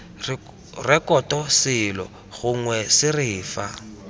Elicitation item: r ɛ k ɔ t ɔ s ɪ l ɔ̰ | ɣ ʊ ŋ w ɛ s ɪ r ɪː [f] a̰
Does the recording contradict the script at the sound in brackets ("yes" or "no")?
no